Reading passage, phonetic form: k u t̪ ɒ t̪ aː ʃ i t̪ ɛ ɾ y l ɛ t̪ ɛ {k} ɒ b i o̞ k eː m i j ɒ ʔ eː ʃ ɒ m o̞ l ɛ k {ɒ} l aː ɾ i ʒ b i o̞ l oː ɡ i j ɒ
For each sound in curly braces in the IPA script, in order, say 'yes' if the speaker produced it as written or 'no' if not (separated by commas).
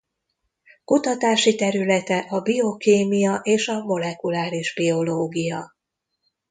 no, no